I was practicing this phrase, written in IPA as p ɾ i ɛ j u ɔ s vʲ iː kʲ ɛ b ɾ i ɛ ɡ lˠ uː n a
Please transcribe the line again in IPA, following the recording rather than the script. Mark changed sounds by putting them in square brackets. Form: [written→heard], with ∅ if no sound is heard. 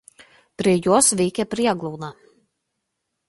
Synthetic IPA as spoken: p ɾ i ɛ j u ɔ s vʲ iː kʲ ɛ [b→p] ɾ i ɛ ɡ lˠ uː n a